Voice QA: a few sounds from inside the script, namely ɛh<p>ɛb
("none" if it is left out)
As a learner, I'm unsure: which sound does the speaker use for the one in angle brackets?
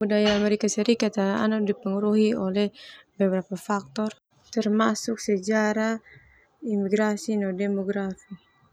b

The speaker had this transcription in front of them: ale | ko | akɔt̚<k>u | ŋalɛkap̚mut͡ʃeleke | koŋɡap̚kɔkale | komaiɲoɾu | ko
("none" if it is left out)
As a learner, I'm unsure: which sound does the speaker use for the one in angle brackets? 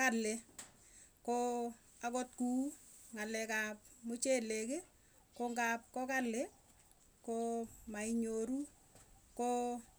k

